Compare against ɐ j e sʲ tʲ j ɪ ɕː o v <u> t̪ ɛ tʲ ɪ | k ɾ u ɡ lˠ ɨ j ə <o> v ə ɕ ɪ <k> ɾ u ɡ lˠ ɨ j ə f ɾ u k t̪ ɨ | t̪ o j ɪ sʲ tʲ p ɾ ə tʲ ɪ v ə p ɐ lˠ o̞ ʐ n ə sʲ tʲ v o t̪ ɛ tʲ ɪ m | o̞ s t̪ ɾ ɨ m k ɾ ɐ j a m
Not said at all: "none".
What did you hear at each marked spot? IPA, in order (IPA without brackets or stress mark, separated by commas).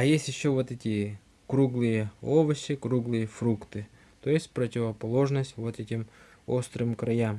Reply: o, o, k